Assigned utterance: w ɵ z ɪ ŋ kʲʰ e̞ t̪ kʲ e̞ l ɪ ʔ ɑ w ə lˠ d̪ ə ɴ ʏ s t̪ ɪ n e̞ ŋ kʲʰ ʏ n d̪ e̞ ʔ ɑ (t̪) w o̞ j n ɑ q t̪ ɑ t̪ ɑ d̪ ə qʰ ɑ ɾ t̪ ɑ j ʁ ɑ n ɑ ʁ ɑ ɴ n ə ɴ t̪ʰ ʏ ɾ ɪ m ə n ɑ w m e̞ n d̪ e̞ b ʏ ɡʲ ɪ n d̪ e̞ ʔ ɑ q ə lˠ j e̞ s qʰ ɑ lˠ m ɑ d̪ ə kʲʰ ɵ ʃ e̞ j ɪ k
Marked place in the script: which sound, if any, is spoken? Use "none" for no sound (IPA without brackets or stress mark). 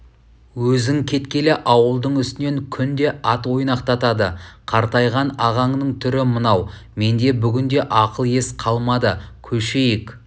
t̪